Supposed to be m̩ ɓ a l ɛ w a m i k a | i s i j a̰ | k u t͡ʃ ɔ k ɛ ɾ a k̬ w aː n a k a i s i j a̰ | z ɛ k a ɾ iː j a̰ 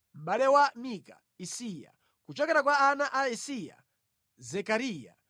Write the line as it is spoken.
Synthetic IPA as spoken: m̩ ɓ a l ɛ w a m i k a | i s i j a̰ | k u t͡ʃ ɔ k ɛ ɾ a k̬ w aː n a ʔ a i s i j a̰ | z ɛ k a ɾ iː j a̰